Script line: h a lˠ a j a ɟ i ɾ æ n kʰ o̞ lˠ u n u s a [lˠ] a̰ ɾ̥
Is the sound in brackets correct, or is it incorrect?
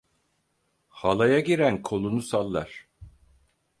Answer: incorrect